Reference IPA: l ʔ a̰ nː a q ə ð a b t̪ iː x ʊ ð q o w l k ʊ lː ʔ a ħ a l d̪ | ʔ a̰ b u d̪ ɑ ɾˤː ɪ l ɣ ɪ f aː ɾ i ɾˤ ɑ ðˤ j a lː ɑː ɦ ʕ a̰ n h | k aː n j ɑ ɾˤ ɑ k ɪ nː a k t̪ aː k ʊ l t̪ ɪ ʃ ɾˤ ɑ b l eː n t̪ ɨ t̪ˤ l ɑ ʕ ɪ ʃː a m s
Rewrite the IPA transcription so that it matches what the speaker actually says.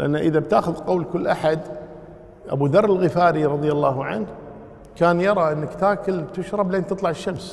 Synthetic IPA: l ʔ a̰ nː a ʔ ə ð a b t̪ aː x ʊ ð q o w l k ʊ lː ʔ a ħ a d̪ | ʔ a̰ b u d̪ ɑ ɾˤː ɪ l ɣ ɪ f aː ɾ i ɾˤ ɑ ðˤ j a lː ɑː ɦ ʕ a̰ n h | k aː n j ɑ ɾˤ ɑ ʔ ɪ nː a k t̪ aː k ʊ l t̪ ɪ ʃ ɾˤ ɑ b l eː n t̪ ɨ t̪ˤ l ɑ ʕ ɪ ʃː a m s

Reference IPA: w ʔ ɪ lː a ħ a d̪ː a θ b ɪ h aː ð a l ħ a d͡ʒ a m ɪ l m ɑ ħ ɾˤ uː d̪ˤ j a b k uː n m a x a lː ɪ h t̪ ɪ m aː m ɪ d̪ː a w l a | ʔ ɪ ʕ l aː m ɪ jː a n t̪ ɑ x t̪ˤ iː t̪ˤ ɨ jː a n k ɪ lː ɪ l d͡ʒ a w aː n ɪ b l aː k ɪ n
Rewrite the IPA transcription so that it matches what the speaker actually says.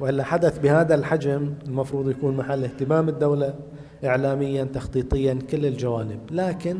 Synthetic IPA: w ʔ ɪ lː a ħ a d̪ a θ b ɪ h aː ð a l ħ a d͡ʒ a m ɪ l m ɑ f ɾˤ uː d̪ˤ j a k uː n m a ħ a lː ɪ h t̪ ɪ m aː m ɪ d̪ː a w l a | ʔ ɪ ʕ l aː m ɪ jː a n t̪ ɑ x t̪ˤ iː t̪ˤ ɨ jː a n k ɪ lː ɪ l d͡ʒ a w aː n ɪ b l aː k ɪ n

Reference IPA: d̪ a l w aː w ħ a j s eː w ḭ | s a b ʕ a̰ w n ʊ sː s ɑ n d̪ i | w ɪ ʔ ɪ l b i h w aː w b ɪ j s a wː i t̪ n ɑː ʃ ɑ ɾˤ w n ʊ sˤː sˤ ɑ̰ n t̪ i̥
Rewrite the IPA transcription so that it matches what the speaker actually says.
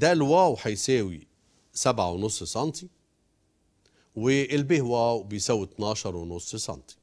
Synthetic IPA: d̪ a l w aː w ħ a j s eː w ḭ | s a b ʕ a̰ w n ʊ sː s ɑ n t̪ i | w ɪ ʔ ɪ l b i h w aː w b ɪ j s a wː i t̪ n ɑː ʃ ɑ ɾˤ w n ʊ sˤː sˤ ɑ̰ n t̪ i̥

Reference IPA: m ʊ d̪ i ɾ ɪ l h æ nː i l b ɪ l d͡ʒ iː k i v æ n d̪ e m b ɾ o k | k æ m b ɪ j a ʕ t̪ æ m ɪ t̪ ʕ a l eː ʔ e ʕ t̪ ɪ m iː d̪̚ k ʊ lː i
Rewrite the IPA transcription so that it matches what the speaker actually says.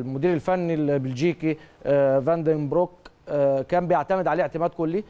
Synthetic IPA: m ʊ d̪ iː ɾ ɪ l f æ nː i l b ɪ l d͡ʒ iː k i v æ n d̪ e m b ɾ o k | k æː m b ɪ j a ʕ t̪ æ m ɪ d̪ ʕ a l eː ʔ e ʕ t̪ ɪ m æː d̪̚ k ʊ lː i

